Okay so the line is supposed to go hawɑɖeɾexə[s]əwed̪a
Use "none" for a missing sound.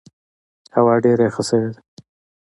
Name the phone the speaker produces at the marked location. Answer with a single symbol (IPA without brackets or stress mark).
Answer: s